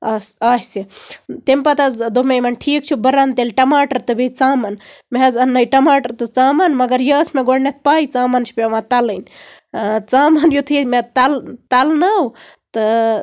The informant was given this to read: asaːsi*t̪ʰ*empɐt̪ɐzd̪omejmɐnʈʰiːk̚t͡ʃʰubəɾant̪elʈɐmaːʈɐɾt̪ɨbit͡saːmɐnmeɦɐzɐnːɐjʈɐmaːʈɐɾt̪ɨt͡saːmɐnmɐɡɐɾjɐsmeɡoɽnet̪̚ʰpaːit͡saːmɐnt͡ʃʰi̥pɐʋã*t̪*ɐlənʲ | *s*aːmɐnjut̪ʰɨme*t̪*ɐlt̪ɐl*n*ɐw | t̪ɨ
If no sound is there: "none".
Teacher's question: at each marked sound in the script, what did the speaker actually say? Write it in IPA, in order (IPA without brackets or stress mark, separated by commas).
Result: t̪, t̪, t͡s, t̪, n